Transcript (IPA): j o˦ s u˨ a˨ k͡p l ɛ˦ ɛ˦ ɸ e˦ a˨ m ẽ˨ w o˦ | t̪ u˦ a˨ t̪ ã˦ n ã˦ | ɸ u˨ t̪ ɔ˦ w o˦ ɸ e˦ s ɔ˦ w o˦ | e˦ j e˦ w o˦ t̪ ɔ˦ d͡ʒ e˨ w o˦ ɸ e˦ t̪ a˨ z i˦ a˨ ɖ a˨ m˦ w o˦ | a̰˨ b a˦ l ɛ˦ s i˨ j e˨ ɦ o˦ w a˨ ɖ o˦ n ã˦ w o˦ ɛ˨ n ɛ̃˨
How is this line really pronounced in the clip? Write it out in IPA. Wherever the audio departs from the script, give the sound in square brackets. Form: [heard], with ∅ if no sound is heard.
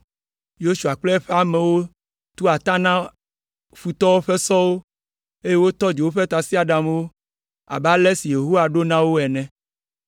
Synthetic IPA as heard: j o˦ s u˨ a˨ k͡p l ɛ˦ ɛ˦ ɸ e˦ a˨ m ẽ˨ w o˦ | t̪ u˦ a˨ t̪ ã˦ n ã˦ | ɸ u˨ t̪ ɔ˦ w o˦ ɸ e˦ s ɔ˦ w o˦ | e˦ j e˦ w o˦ t̪ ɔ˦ d͡ʒ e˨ w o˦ ɸ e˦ t̪ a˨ [s] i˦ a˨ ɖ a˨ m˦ w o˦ | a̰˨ b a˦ l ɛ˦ s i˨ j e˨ ɦ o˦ w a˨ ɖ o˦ n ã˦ w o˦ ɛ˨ n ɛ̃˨